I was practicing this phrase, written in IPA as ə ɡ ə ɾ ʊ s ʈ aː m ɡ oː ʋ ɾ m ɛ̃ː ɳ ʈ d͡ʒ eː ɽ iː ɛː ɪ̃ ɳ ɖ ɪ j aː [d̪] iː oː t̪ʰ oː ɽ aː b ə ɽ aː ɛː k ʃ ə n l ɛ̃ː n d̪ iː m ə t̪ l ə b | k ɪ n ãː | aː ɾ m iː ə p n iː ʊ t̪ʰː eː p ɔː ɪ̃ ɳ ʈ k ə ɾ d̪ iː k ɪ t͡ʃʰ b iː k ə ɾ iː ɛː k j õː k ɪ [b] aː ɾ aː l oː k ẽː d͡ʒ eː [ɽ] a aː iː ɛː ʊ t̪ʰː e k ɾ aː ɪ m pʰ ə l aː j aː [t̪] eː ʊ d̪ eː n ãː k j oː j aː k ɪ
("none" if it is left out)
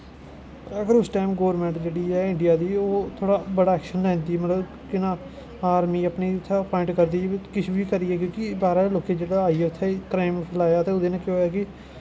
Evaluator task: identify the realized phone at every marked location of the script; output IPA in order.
d̪, b, ɽ, t̪

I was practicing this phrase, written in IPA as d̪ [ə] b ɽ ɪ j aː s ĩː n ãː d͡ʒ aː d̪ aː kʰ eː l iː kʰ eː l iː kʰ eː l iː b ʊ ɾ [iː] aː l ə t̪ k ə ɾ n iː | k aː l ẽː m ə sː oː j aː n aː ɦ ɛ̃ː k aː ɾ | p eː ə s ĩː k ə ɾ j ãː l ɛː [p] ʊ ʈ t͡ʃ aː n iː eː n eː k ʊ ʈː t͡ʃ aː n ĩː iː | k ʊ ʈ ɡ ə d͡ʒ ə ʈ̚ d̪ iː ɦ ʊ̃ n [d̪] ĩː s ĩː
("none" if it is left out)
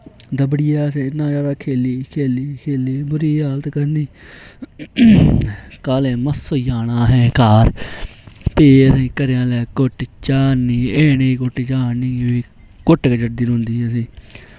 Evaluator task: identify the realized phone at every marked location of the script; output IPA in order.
ə, iː, k, d̪

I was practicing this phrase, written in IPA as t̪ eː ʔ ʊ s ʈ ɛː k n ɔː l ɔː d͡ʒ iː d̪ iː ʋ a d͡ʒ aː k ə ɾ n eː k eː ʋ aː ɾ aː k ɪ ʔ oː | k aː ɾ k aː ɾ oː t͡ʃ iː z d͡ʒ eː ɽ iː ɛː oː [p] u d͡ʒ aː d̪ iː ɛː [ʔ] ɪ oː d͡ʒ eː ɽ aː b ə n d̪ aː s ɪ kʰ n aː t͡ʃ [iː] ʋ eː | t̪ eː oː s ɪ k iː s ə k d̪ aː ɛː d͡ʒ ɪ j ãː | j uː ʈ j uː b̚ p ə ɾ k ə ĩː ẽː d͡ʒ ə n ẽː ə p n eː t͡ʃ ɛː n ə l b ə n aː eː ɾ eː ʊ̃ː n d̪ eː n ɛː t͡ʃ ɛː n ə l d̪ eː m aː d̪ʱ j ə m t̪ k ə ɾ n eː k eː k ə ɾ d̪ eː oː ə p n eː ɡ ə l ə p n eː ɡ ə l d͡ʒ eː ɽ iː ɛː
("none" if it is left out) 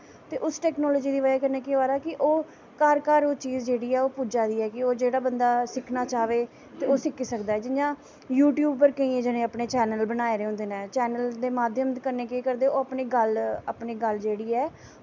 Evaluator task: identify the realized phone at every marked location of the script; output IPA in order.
p, k, aː

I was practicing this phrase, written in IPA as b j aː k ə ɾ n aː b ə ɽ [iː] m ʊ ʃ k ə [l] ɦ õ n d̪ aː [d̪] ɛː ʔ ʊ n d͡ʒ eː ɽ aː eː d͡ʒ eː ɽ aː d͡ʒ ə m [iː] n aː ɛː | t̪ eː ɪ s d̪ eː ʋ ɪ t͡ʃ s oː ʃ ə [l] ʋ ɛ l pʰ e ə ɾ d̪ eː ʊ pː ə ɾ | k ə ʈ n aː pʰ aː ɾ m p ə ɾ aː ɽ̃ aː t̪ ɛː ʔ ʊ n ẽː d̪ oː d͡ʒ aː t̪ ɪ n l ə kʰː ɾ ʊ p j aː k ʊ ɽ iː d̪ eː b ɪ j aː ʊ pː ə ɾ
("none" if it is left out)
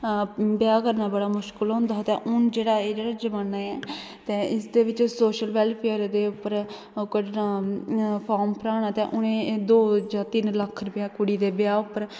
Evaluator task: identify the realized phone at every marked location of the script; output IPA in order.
aː, l, t̪, aː, l

